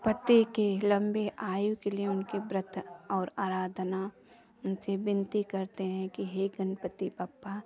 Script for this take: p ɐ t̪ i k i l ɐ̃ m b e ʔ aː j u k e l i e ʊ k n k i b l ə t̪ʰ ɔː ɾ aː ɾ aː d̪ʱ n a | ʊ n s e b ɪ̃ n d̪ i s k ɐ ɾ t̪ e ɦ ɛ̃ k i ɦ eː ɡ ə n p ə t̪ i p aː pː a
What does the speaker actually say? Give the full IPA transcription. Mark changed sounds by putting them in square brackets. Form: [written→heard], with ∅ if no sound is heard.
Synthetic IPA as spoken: p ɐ t̪ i k [i→e] l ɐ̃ m b e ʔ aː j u k e l i e ʊ [k→∅] n k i b [l→ɾ] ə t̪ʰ ɔː ɾ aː ɾ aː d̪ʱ n a | ʊ n s e b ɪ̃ n [d̪→t̪] i [s→∅] k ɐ ɾ t̪ e ɦ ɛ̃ k i ɦ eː ɡ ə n p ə t̪ i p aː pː a